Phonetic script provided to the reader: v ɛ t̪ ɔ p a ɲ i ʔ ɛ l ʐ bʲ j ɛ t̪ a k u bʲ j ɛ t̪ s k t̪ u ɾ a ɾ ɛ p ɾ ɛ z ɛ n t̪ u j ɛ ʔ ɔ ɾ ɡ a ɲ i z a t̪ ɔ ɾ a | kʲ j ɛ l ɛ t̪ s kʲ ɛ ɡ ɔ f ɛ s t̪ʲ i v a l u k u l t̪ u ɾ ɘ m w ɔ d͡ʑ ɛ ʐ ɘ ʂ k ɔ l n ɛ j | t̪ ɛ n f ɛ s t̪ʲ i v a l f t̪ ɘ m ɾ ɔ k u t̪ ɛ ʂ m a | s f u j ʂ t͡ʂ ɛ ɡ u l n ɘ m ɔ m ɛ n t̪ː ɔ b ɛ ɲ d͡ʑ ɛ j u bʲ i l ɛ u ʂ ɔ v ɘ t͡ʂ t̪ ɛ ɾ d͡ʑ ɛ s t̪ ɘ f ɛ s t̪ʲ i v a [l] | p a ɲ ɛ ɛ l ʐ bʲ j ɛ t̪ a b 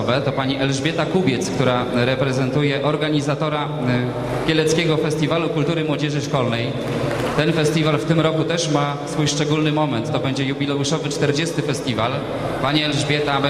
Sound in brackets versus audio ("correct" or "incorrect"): correct